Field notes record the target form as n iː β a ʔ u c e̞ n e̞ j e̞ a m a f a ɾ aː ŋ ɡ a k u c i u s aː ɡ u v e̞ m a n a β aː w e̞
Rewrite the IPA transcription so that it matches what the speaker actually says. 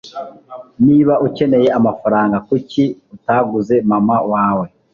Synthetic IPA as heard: n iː β a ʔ u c e̞ n e̞ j e̞ a m a f a ɾ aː ŋ ɡ a k u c i u t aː ɡ u z e̞ m a m a w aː w e̞